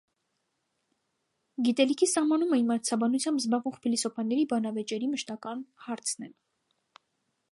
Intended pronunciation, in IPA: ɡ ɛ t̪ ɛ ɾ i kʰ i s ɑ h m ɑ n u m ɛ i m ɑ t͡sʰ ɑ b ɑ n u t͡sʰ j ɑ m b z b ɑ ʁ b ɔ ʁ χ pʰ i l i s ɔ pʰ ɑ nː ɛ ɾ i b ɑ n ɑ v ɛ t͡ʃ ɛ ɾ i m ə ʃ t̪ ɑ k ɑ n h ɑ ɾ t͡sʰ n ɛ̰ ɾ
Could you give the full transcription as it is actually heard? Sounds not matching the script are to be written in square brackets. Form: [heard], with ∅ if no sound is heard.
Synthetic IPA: ɡ [i] t̪ ɛ [l] i kʰ i s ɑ h m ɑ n u m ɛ i m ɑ t͡sʰ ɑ b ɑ n u t͡sʰ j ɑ m b z b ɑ ʁ [v] ɔ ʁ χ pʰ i l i s ɔ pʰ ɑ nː ɛ ɾ i b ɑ n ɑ v ɛ t͡ʃ ɛ ɾ i m ə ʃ t̪ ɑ k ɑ n h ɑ ɾ t͡sʰ n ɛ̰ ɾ

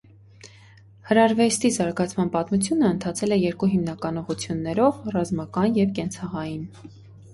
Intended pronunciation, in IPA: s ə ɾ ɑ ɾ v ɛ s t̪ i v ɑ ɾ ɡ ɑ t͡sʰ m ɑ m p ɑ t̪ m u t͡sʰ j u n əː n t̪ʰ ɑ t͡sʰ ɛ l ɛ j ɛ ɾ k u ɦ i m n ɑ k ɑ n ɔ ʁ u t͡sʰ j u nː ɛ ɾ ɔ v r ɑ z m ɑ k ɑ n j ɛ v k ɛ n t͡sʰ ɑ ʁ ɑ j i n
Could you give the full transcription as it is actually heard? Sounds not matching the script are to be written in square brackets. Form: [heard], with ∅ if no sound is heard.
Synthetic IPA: [h] ə ɾ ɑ ɾ v ɛ s t̪ i [z] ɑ ɾ ɡ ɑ t͡sʰ m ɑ [n] p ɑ t̪ m u t͡sʰ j u n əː n t̪ʰ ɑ t͡sʰ ɛ l ɛ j ɛ ɾ k u ɦ i m n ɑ k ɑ n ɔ ʁ u t͡sʰ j u nː ɛ ɾ ɔ v r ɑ z m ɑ k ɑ n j ɛ v k ɛ n t͡sʰ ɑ ʁ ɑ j i n

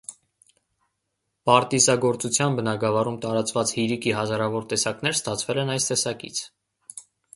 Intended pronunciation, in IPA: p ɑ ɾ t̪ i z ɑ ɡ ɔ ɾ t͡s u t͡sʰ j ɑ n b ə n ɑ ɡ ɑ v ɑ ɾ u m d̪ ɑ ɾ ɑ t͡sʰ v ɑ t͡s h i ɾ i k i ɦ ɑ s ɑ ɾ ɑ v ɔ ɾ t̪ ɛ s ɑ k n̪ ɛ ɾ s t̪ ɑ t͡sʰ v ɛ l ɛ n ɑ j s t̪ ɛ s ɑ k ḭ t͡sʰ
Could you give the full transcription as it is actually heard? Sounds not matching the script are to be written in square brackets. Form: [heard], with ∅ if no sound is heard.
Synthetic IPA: p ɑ ɾ t̪ i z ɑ ɡ ɔ ɾ t͡s u t͡sʰ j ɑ n b ə n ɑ ɡ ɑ v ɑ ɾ u m [t̪] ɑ ɾ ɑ [t͡s] v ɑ t͡s h i ɾ i k i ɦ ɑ [z] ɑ ɾ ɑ v ɔ ɾ t̪ ɛ s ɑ k n̪ ɛ ɾ s t̪ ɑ t͡sʰ v ɛ l ɛ n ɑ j s t̪ ɛ s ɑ k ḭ t͡sʰ

